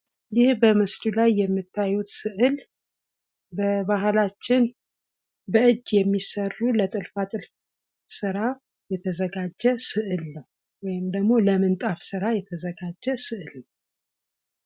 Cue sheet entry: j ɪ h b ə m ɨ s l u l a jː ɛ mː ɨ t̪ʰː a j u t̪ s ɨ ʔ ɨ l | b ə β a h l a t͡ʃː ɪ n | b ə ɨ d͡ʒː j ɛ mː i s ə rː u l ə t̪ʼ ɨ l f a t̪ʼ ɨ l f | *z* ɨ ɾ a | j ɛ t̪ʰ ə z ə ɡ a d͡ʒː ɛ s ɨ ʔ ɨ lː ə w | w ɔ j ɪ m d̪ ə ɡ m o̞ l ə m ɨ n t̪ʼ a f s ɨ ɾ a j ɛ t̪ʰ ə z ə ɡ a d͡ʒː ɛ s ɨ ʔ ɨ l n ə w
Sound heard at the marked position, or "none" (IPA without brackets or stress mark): s